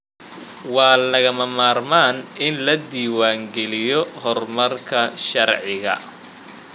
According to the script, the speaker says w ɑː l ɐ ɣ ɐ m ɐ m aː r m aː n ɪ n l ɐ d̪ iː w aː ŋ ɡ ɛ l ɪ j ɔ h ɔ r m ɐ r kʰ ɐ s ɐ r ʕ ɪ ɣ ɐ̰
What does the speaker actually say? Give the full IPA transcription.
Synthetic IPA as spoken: w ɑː l ɐ ɣ ɐ m ɐ m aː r m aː n ɪ n l ɐ d̪ iː w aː ŋ ɡ ɛ l ɪ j ɔ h ɔ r m ɐ r kʰ ɐ ʃ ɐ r ʕ ɪ ɣ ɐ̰